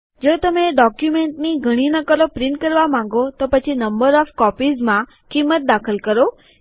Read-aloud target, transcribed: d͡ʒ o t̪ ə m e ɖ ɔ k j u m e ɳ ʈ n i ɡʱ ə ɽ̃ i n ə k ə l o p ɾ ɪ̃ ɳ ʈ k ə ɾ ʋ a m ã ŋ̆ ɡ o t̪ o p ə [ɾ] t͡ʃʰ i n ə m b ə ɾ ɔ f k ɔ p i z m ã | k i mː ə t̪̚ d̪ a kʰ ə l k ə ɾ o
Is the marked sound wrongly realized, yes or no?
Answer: yes